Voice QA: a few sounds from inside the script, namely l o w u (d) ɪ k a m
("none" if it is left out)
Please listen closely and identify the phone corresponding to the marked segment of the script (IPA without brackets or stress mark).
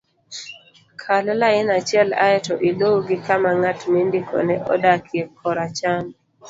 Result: ɡ